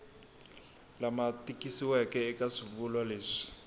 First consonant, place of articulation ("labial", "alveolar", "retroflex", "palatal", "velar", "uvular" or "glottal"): alveolar